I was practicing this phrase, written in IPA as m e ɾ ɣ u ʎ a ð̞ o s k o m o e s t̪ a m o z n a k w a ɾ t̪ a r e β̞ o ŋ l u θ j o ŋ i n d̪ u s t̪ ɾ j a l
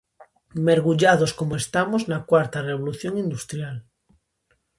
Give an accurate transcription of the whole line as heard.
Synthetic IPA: m e ɾ ɣ u ʎ a ð̞ o s k o m o e s t̪ a m o z n a k w a ɾ t̪ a r e β̞ o l u θ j o ŋ i n d̪ u s t̪ ɾ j a l